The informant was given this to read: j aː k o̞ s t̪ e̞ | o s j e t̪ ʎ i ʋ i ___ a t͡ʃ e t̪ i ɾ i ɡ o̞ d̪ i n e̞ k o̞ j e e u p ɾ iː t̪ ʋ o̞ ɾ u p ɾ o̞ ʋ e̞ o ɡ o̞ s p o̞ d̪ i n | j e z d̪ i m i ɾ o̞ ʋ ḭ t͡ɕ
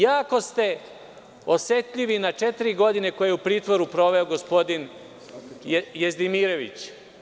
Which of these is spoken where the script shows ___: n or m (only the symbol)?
n